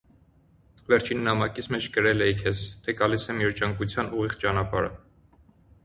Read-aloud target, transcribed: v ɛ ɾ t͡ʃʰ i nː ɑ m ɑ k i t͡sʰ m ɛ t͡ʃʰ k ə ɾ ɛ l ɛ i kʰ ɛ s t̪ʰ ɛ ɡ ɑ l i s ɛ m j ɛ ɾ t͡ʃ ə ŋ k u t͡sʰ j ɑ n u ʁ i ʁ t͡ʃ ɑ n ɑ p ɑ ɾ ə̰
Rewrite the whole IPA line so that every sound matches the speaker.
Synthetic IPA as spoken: v ɛ ɾ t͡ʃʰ i nː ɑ m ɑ k i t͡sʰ m ɛ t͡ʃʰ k ə ɾ ɛ l ɛ i kʰ ɛ s t̪ʰ ɛ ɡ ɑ l i s ɛ m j ɛ ɾ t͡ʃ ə ŋ k u t͡sʰ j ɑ n u ʁ i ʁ t͡ʃ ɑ n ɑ p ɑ ɾ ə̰